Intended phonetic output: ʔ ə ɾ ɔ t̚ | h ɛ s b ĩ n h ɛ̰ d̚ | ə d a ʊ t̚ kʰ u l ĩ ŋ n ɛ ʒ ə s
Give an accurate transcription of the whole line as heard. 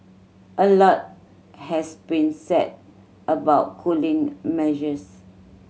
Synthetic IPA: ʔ ə l ɔ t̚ | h ɛ s b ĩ n s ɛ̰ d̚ | ə b a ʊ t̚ kʰ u l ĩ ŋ m ɛ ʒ ə s